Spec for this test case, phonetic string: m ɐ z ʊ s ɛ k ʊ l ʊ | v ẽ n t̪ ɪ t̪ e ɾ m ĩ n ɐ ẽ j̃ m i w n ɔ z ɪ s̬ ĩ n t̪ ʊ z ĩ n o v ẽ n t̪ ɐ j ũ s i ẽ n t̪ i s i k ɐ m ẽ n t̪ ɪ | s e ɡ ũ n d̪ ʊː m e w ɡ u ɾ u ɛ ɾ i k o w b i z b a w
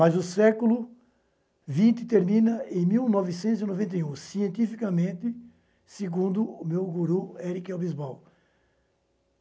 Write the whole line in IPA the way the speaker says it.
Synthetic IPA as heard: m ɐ z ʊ s ɛ k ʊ l ʊ | v ĩ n t̪ ɪ t̪ e ɾ m ĩ n ɐ ẽ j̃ m i w n ɔ v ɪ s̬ ẽ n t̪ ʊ z i n o v ẽ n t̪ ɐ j ũ s i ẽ n t̪ i f i k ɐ m ẽ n t̪ ɪ | s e ɡ ũ n d̪ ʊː m e w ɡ u ɾ u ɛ ɾ i k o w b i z b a w